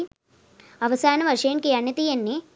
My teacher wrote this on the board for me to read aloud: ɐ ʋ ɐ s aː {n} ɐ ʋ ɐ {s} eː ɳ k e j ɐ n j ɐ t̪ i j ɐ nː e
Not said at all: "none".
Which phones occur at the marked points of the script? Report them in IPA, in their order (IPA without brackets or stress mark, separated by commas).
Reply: n, ʂ